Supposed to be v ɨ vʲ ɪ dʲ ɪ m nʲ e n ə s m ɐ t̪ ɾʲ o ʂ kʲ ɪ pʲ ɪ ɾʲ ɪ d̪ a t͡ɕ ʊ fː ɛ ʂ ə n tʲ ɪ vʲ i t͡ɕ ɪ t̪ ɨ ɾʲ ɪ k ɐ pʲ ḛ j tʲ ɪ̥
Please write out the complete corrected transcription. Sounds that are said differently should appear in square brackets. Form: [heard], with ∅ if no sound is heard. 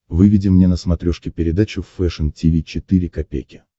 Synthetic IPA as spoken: v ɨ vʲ ɪ dʲ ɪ m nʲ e n ə s m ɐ t̪ ɾʲ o ʂ kʲ ɪ pʲ ɪ ɾʲ ɪ d̪ a t͡ɕ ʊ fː ɛ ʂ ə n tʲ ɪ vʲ i t͡ɕ ɪ t̪ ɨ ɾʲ ɪ k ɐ pʲ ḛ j [kʲ] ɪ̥